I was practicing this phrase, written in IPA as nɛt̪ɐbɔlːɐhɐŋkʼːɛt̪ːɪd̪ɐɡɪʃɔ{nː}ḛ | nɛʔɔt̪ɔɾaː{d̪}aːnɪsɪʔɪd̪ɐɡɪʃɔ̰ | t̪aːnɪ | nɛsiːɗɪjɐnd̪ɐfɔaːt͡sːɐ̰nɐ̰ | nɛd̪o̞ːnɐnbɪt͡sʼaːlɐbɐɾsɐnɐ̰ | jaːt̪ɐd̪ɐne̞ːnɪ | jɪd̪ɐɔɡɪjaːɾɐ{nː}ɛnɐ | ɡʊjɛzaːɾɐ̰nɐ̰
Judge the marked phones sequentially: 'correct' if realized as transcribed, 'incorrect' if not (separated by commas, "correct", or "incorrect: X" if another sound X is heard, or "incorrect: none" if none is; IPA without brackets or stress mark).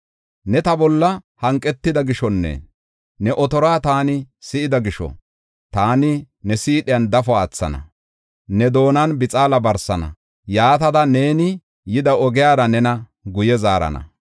correct, incorrect: t̪, incorrect: n